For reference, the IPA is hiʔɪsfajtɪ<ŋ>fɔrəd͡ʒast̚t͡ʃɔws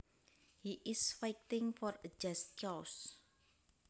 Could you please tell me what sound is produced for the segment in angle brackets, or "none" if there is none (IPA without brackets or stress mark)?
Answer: ŋ